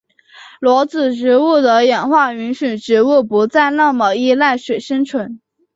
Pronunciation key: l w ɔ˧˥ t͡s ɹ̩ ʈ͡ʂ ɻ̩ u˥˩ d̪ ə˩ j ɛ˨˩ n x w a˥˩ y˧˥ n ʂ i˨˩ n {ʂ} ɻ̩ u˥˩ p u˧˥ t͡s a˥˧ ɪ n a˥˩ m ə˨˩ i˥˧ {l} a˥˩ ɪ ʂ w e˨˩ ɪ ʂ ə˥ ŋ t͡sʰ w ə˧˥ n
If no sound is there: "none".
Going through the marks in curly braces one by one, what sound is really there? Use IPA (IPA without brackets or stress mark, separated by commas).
ʈ͡ʂ, l